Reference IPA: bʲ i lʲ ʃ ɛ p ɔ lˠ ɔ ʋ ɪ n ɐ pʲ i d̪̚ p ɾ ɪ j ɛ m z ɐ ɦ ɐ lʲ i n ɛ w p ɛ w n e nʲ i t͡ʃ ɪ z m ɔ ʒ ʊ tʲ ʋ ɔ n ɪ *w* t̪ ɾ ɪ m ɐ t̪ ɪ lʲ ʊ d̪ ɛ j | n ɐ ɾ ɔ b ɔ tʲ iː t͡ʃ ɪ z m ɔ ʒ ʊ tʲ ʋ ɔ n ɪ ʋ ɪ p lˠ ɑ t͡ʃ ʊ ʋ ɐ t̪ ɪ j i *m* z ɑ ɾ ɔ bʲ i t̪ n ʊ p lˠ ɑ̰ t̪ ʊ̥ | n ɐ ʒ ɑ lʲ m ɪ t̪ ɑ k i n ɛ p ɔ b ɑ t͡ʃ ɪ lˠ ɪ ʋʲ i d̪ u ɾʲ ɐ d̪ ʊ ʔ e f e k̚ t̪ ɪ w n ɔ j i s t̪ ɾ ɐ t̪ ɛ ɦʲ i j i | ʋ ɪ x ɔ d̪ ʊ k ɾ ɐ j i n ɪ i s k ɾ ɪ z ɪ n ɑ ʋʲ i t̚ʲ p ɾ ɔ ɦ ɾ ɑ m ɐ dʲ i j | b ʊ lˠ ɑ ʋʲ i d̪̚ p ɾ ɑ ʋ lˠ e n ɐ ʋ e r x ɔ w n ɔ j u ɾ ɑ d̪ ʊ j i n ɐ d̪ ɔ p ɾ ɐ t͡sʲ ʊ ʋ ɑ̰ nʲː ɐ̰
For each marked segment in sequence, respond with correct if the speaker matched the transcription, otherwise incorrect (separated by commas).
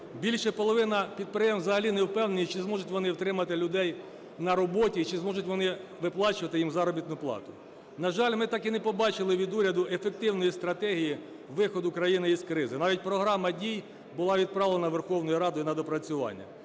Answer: correct, correct